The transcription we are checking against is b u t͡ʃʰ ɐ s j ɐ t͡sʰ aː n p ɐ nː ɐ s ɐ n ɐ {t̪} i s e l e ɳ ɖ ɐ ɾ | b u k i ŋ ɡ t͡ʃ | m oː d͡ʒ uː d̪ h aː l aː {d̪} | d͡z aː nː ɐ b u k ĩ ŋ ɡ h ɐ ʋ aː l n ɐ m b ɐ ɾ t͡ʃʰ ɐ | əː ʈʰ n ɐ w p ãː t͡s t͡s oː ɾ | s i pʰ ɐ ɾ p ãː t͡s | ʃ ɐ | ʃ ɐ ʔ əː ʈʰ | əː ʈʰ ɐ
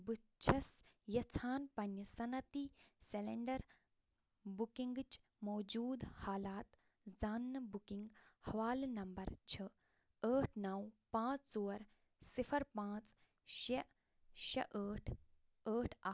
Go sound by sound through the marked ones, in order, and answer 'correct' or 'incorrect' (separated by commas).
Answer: correct, incorrect